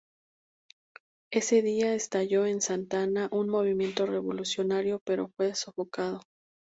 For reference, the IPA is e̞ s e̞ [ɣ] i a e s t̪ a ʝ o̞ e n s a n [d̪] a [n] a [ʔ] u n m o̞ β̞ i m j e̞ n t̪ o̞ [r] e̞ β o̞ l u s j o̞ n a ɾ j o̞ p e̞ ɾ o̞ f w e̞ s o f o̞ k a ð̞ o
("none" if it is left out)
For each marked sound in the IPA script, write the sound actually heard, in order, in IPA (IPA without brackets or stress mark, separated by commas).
ð, t̪, n, ʔ, r